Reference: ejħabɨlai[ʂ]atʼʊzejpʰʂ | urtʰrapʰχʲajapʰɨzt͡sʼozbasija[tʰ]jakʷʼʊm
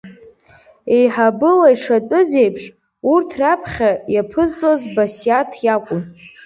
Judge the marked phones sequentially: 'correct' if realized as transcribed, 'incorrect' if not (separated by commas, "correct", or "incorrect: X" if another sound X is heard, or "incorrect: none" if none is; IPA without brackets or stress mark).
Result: correct, correct